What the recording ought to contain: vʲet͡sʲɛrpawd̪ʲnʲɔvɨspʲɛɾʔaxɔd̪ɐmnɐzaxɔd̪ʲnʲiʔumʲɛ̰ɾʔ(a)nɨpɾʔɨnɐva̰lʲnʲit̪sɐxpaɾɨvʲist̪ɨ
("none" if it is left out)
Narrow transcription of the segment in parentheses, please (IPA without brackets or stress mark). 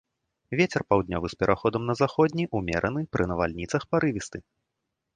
ɐ